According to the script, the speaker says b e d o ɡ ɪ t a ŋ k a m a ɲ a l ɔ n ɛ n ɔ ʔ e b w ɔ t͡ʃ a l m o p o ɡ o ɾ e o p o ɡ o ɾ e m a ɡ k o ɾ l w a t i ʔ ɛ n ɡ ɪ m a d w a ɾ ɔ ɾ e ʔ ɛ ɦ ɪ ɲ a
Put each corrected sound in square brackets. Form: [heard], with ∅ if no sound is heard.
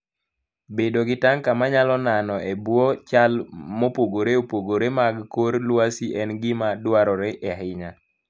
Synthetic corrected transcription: b e d o ɡ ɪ t a ŋ k a m a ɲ a l ɔ n [a] n ɔ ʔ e b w ɔ t͡ʃ a l m o p o ɡ o ɾ e o p o ɡ o ɾ e m a ɡ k o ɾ l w a [s] i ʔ ɛ n ɡ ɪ m a d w a ɾ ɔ ɾ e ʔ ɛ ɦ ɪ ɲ a